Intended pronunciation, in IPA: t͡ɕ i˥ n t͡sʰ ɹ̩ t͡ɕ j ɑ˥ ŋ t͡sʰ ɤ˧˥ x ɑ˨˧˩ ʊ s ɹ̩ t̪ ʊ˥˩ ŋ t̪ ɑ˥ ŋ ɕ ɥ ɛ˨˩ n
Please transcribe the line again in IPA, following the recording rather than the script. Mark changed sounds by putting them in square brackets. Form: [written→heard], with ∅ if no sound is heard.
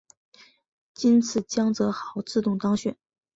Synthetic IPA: t͡ɕ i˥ n t͡sʰ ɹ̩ t͡ɕ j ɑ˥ ŋ [t͡sʰ→t͡s] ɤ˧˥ x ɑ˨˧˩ ʊ [s→t͡s] ɹ̩ t̪ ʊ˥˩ ŋ t̪ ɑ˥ ŋ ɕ ɥ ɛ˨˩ n